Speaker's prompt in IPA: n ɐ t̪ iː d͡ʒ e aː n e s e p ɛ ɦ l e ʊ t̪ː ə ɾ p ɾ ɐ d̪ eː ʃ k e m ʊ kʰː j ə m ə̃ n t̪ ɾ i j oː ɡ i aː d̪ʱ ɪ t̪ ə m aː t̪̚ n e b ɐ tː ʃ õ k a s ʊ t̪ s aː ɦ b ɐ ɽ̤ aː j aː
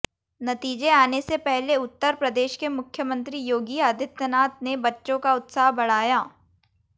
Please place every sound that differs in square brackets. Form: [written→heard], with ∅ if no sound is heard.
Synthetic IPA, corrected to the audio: n ɐ t̪ iː d͡ʒ e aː n e s e p ɛ ɦ l e ʊ t̪ː ə ɾ p ɾ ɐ d̪ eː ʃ k e m ʊ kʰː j ə m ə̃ n t̪ ɾ i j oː ɡ i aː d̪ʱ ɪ t̪ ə [m→n] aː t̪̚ n e b ɐ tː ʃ õ k a [s→∅] ʊ t̪ s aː ɦ b ɐ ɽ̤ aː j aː